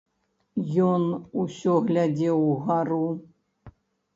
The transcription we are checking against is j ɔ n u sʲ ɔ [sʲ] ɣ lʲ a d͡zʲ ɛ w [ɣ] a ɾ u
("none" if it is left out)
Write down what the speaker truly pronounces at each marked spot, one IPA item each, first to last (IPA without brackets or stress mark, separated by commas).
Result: none, ɣ